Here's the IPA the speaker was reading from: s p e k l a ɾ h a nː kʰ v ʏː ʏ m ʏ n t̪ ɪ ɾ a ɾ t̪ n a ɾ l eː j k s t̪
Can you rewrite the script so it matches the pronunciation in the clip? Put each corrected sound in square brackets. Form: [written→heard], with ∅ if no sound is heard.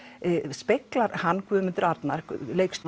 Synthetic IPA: s p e k l a ɾ h a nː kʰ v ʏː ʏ m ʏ n t̪ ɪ ɾ a ɾ t̪ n a ɾ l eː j k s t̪